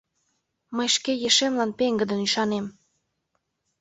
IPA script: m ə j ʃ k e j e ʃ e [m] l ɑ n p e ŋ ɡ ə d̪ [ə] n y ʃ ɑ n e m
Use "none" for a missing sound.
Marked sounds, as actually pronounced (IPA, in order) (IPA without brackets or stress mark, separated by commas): m, ə